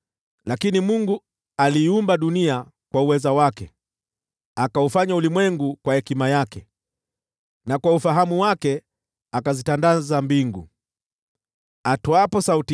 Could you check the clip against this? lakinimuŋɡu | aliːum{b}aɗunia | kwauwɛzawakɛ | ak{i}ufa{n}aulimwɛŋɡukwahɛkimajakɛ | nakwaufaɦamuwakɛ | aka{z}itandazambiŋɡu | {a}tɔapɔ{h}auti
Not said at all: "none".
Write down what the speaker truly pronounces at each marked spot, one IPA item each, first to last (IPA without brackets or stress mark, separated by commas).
b, a, ɲ, z, a, s